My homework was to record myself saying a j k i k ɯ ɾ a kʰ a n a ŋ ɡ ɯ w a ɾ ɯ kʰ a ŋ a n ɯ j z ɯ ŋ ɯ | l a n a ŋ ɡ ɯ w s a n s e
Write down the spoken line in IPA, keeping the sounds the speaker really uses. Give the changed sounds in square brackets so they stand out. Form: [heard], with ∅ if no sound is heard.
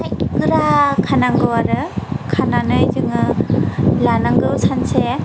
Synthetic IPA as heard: a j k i k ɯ ɾ a kʰ a n a ŋ ɡ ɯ w a ɾ ɯ kʰ a [n] a n ɯ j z ɯ ŋ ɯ | l a n a ŋ ɡ ɯ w s a n s e